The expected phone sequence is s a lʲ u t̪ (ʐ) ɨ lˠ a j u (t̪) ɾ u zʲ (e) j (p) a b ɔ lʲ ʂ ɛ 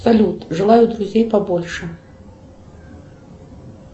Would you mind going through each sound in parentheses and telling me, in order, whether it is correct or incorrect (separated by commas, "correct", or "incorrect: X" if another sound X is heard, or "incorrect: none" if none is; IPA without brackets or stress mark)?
correct, incorrect: d̪, correct, correct